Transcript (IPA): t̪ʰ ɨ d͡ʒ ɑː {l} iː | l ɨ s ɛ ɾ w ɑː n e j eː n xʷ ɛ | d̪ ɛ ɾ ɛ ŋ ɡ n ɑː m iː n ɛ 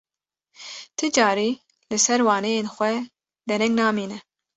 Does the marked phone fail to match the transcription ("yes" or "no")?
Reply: yes